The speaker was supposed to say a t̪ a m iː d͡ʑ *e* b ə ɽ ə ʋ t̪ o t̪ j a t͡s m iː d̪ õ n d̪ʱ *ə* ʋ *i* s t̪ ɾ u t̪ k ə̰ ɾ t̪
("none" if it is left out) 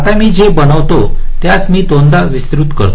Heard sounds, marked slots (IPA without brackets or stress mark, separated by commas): e, a, i